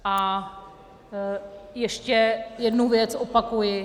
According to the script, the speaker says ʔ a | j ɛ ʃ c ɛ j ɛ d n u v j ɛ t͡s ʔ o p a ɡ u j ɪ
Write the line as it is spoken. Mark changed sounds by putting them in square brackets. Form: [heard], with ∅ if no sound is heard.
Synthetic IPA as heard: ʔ a | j ɛ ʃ c ɛ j ɛ d n u v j ɛ t͡s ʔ o p a [k] u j ɪ